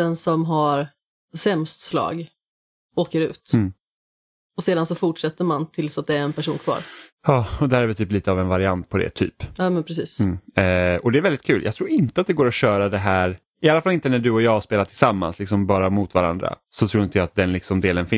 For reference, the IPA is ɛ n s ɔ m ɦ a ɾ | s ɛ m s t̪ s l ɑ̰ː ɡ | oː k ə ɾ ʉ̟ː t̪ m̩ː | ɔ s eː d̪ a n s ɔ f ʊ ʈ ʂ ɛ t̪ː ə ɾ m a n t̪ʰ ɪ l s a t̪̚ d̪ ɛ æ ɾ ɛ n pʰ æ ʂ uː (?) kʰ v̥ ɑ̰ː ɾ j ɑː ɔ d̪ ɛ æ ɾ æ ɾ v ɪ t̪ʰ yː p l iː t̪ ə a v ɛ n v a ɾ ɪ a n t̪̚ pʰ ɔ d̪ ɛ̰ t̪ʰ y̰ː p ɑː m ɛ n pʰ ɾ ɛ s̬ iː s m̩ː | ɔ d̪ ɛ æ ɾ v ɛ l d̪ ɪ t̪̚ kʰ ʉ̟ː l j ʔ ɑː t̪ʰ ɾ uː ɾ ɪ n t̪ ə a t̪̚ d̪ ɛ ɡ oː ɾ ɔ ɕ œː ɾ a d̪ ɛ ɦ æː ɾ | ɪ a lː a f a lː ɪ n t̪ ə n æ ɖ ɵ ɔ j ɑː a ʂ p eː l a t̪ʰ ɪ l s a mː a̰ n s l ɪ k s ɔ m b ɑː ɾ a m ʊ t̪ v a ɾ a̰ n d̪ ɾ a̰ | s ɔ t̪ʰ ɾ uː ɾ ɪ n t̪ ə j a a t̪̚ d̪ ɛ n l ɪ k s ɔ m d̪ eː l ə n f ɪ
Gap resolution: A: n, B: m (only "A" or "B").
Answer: A